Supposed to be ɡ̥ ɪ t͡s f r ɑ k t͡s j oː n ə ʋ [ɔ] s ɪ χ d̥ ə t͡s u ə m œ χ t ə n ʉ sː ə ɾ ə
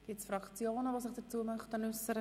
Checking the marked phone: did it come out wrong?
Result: yes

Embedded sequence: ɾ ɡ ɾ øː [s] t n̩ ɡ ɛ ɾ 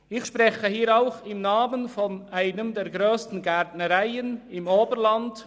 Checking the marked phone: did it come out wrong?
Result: no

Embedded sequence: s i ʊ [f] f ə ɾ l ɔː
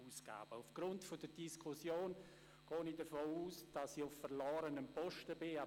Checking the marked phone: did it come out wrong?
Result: no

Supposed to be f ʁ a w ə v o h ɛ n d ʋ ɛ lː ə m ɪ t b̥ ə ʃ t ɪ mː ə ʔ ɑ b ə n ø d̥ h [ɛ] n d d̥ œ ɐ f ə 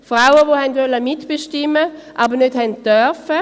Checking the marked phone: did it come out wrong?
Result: no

